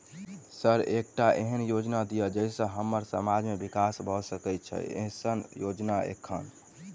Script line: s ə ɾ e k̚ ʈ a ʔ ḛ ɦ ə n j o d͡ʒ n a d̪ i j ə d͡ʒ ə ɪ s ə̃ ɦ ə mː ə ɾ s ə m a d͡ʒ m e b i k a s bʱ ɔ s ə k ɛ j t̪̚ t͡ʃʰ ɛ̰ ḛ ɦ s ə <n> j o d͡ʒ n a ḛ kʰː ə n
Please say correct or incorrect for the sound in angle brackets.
correct